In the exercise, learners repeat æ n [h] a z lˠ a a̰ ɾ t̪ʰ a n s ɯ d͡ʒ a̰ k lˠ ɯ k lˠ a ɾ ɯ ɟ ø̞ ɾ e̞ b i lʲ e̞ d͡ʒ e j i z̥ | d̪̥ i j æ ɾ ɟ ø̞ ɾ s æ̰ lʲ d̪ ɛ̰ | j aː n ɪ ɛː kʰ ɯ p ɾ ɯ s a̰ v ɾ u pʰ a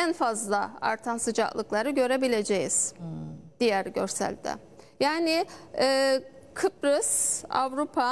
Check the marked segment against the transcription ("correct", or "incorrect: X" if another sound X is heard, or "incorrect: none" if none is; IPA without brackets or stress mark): incorrect: f